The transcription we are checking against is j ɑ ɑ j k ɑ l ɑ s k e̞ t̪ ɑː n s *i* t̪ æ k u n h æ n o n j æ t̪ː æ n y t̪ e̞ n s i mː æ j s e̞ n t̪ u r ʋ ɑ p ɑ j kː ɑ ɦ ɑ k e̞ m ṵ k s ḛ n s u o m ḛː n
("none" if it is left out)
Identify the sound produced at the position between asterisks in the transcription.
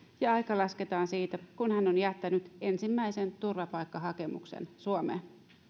iː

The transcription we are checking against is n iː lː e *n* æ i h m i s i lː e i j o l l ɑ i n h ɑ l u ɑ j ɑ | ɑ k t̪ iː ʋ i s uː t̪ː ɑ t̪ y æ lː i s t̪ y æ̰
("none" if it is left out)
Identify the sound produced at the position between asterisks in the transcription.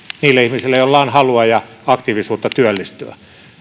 none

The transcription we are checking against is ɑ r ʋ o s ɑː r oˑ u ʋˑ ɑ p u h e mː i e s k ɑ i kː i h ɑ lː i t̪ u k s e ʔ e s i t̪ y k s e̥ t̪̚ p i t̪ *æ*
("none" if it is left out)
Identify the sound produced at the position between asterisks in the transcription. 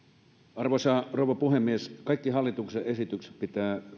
æː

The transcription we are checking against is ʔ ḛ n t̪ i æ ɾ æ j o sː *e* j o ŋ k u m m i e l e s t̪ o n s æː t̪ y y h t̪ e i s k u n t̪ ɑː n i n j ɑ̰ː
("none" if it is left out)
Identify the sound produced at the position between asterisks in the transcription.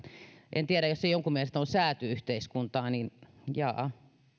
e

